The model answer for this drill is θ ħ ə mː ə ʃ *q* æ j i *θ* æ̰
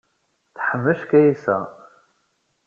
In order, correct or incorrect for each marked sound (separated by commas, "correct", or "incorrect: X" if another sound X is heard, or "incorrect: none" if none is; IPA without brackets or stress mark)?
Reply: incorrect: k, incorrect: s